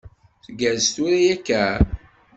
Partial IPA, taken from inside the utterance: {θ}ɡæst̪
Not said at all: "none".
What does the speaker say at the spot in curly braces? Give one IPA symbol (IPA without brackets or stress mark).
θ